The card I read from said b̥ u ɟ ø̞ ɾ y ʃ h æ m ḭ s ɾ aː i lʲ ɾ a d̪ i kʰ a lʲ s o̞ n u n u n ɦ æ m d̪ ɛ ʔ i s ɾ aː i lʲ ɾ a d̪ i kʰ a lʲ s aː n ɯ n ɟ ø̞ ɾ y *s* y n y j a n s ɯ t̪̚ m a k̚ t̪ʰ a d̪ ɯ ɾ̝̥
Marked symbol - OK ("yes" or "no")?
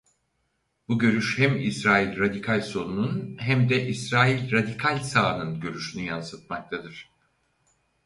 no